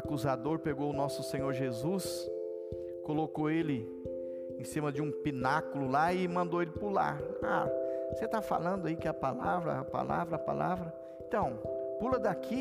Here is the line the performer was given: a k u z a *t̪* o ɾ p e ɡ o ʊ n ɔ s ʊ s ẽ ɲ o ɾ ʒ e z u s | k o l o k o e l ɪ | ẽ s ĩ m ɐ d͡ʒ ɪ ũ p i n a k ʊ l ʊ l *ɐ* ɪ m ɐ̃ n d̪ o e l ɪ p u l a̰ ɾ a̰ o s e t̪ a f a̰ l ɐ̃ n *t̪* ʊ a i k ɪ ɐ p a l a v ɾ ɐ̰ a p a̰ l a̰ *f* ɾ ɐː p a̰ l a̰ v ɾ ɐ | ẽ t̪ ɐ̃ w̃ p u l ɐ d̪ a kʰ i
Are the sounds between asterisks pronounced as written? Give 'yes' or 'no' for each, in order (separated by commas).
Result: no, no, no, no